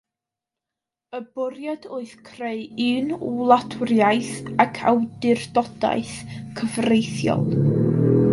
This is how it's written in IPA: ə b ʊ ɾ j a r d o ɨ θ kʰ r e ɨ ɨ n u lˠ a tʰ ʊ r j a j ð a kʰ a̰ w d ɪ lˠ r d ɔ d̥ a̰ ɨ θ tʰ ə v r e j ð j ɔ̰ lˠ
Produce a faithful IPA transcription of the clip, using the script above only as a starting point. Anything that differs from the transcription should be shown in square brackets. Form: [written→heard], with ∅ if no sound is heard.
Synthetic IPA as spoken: ə b ʊ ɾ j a [r→∅] d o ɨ θ kʰ r e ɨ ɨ n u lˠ a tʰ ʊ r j a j [ð→θ] a kʰ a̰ w d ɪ [lˠ→∅] r d ɔ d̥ a̰ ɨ θ [tʰ→kʰ] ə v r e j [ð→θ] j ɔ̰ lˠ